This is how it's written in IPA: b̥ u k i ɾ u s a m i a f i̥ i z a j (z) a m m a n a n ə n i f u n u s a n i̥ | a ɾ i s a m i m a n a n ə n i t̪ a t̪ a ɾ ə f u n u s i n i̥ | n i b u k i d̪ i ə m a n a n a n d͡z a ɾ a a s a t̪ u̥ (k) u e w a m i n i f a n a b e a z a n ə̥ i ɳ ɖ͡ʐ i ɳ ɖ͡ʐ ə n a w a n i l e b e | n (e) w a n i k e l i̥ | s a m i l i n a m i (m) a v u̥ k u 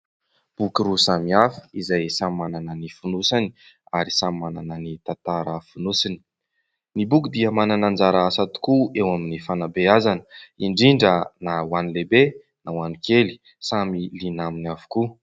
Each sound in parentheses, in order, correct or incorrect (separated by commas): incorrect, correct, incorrect, incorrect